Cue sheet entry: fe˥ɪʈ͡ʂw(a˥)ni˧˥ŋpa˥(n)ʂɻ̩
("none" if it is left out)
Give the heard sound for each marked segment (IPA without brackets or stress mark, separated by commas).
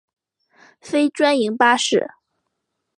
a˥, none